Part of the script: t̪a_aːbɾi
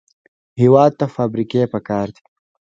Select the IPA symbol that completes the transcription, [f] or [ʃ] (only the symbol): f